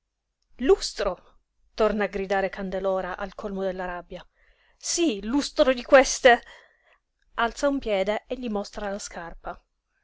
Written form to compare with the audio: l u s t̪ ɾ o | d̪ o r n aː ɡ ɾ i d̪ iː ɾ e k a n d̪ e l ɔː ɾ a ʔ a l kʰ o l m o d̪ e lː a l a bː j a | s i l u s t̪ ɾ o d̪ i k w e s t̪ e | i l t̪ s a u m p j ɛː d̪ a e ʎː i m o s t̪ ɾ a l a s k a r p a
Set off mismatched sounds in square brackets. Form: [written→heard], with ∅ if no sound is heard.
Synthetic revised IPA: l u s t̪ ɾ o | [d̪→t̪] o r n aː ɡ ɾ i d̪ [iː→aː] ɾ e k a n d̪ e l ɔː ɾ a ʔ a l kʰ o l m o d̪ e lː a [l→ɾ] a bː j a | s i l u s t̪ ɾ o d̪ i k w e s t̪ e | [i→a] l t̪ s a u m p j ɛː d̪ [a→e] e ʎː i m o s t̪ ɾ a l a s k a r p a